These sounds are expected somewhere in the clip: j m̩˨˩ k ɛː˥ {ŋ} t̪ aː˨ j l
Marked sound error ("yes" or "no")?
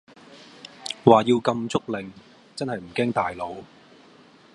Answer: no